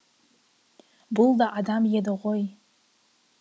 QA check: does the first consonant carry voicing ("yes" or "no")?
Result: yes